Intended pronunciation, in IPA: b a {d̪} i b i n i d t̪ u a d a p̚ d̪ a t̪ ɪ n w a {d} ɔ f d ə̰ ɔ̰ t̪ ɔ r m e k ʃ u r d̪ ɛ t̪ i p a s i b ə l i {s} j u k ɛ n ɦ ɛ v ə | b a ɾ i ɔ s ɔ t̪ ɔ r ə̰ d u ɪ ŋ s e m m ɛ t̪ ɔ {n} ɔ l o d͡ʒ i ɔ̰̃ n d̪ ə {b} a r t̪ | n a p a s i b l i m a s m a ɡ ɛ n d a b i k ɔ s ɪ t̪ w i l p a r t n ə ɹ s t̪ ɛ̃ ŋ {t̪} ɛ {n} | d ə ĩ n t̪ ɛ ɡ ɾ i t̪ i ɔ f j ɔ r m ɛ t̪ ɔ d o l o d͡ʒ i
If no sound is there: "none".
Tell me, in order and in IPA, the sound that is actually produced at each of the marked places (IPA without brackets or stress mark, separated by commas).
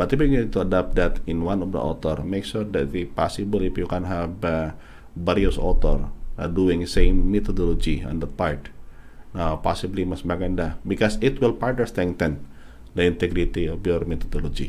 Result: t̪, n, f, d, p, t̪, n